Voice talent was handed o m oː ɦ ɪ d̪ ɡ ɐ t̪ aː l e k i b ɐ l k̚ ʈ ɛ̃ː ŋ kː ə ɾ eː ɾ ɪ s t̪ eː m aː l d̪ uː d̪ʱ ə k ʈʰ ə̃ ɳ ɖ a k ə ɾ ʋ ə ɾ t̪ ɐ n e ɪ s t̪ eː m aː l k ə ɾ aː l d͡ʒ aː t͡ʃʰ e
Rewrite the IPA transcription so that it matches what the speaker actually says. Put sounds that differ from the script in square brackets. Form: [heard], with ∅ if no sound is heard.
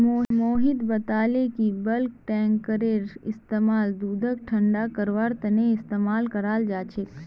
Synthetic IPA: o m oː ɦ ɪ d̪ [b] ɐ t̪ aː l e k i b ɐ l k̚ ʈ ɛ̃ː ŋ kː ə ɾ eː ɾ ɪ s t̪ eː m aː l d̪ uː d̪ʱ ə k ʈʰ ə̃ ɳ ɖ a k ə ɾ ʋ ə ɾ t̪ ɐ n e ɪ s t̪ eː m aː l k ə ɾ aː l d͡ʒ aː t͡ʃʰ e